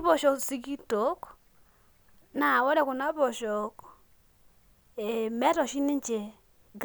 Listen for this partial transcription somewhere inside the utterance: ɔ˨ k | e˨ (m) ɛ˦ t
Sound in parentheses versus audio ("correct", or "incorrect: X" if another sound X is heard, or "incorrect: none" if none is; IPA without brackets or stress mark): correct